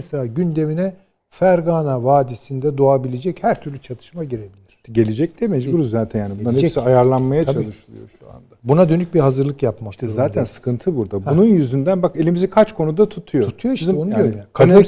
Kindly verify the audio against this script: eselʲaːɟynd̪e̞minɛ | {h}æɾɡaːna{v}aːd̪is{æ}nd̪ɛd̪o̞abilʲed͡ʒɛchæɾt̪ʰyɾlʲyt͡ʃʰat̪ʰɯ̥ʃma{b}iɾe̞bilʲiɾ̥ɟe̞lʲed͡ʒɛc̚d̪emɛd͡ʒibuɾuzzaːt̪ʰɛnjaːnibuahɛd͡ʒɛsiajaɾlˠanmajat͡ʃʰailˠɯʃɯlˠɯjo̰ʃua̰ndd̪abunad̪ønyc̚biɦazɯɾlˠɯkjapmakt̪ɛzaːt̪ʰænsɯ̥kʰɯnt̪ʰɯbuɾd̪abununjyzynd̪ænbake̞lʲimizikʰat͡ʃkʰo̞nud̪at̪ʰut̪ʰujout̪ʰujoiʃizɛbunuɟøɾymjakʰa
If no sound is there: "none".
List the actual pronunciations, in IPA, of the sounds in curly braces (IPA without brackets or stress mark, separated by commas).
f, v, i, ɟ